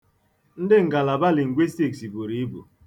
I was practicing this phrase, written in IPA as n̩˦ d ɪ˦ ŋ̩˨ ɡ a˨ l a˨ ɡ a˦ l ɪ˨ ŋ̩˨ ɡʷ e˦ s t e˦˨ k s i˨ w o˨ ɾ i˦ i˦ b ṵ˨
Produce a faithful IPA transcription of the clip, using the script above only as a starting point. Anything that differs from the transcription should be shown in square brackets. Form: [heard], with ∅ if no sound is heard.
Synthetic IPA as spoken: n̩˦ d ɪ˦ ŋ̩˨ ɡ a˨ l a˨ [b] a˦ l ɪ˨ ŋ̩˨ ɡʷ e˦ s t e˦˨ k s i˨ [b] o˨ ɾ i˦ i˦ b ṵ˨